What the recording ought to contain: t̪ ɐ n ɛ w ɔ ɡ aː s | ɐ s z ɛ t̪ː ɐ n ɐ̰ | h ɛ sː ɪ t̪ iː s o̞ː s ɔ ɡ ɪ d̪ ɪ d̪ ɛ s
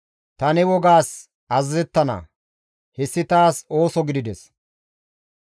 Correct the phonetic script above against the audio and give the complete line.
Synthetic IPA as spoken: t̪ ɐ n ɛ w ɔ ɡ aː s | ɐ z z ɛ t̪ː ɐ n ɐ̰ | h ɛ sː ɪ t̪ aː s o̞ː s ɔ ɡ ɪ d̪ ɪ d̪ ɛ s